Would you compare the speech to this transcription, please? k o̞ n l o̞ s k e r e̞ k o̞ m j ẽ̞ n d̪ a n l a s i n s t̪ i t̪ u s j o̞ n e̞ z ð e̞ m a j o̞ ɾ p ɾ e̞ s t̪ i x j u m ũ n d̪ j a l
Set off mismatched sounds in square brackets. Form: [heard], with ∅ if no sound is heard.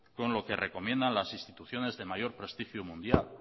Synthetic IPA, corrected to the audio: k o̞ n l o̞ [∅] k e r e̞ k o̞ m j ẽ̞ n d̪ a n l a s i n s t̪ i t̪ u [θ] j o̞ n e̞ z ð e̞ m a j o̞ ɾ p ɾ e̞ s t̪ i x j u m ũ n d̪ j a l